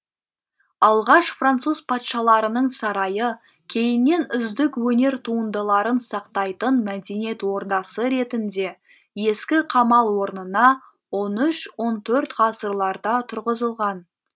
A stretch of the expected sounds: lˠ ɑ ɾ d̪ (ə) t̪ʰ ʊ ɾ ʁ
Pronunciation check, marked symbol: incorrect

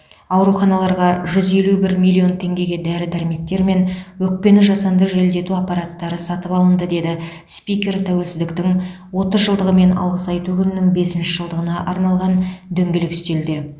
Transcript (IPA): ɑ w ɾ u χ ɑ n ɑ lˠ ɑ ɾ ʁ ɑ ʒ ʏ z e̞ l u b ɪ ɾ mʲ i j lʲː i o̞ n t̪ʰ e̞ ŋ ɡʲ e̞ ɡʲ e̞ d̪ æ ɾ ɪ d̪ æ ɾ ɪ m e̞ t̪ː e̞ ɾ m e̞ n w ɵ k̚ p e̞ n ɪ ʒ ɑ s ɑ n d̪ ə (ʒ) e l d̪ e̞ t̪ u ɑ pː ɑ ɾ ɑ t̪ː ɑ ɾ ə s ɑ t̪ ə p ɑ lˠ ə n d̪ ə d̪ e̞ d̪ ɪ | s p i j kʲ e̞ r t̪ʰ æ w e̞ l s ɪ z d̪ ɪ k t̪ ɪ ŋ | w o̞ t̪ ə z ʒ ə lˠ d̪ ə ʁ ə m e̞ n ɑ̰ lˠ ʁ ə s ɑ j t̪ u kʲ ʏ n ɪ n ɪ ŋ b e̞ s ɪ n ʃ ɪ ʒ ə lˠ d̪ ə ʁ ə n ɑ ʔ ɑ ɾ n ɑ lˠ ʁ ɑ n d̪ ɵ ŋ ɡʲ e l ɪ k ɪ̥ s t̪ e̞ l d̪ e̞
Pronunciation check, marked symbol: correct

